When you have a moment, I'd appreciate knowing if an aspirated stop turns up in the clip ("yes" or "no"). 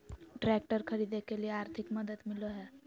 yes